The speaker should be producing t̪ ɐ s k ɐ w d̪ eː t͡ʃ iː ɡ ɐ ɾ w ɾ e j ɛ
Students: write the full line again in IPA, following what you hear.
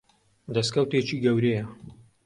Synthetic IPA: d̪ ɐ s k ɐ w t̪ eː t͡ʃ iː ɡ ɐ w ɾ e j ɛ